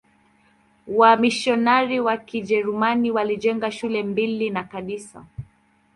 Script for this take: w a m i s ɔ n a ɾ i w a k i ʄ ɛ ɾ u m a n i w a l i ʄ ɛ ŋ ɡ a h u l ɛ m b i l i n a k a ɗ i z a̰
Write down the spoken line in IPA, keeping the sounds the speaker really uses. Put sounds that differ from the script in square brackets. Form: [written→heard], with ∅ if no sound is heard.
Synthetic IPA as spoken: w a m i [s→ʃ] ɔ n a ɾ i w a k i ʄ ɛ ɾ u m a n i w a l i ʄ ɛ ŋ ɡ a [h→ʃ] u l ɛ m b i l i n a k a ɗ i [z→s] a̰